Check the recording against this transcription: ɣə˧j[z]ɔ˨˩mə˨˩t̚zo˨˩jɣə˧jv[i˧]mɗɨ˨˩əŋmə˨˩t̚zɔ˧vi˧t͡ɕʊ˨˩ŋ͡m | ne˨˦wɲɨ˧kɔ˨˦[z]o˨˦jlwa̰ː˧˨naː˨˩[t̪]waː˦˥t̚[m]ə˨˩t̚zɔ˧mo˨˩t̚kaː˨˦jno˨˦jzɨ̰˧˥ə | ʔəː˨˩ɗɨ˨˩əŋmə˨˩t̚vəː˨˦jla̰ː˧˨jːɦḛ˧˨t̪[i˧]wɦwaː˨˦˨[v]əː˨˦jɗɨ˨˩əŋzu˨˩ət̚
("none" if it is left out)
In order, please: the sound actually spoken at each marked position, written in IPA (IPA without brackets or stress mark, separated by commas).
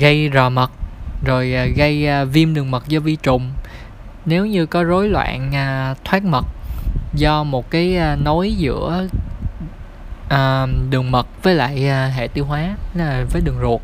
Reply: z, i˧, z, t̪ʰ, m, i˧, v